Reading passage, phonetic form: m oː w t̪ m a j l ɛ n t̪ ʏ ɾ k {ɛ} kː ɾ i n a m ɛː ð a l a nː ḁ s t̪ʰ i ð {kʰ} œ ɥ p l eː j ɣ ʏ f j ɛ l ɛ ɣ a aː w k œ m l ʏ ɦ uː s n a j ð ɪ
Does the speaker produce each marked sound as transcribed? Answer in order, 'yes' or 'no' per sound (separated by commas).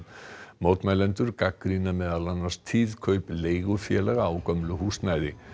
no, yes